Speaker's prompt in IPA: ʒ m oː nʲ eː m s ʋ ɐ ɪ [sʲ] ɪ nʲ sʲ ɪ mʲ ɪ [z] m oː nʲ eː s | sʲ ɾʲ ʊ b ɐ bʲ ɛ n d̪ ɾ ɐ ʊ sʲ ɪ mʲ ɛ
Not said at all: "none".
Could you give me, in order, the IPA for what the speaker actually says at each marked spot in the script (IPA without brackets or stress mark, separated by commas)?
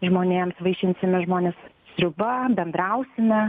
ʃʲ, ʒ